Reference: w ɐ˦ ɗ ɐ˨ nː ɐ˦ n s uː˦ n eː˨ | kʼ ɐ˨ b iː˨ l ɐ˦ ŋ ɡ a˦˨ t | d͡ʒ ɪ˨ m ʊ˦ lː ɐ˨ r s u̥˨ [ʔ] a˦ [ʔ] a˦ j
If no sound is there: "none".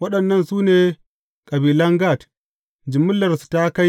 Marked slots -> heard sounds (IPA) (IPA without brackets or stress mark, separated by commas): t, k